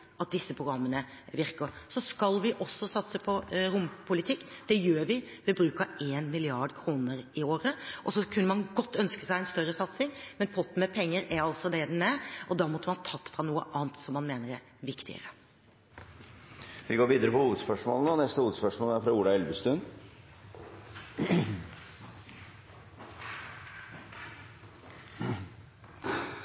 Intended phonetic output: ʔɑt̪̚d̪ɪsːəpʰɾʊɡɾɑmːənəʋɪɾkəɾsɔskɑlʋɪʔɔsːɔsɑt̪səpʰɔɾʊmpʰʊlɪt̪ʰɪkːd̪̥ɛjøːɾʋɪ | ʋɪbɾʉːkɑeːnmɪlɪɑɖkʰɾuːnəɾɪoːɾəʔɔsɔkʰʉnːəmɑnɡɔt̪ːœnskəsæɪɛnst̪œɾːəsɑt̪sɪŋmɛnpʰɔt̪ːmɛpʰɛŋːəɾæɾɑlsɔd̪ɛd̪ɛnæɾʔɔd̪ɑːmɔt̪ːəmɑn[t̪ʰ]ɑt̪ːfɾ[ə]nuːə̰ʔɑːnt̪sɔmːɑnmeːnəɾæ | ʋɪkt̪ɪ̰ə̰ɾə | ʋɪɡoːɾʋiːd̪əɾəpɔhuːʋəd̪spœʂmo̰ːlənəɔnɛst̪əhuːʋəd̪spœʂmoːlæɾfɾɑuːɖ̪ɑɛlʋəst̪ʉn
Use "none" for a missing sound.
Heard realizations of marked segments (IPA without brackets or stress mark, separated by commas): t̪ʰ, ɑ